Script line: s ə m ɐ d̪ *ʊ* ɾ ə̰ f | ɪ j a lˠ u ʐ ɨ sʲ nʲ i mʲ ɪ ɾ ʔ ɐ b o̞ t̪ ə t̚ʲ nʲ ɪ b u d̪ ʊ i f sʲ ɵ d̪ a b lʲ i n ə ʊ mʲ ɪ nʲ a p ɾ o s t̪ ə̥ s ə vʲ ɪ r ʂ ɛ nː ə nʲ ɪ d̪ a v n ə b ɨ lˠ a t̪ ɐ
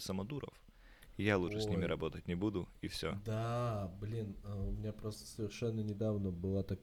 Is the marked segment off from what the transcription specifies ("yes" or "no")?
yes